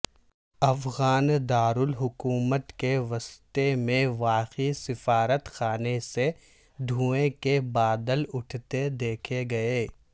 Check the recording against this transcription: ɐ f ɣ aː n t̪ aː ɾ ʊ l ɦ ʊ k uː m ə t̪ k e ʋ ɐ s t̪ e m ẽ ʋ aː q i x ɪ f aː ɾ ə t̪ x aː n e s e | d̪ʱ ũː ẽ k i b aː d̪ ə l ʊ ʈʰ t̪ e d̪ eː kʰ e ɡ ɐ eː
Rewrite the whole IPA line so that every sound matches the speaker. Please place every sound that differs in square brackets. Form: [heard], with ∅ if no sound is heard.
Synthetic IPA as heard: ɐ f ɣ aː n [d̪] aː ɾ ʊ l ɦ ʊ k uː m ə t̪ k e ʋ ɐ s t̪ e m ẽ ʋ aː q i [s] ɪ f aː ɾ ə t̪ x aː n e s e | d̪ʱ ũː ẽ k [e] b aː d̪ ə l ʊ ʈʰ t̪ e d̪ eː kʰ e ɡ ɐ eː